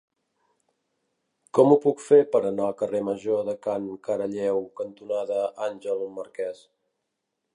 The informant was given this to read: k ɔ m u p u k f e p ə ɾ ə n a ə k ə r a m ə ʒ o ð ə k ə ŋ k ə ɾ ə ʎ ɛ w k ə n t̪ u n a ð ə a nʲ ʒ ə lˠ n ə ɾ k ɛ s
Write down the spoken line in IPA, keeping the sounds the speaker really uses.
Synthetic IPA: k ɔ m u p u k f e p ə ɾ ə n a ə k ə r e m ə ʒ o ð ə k a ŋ k ə ɾ ə ʎ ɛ w k ə n t̪ u n a ð ə a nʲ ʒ ə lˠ m ə ɾ k ɛ s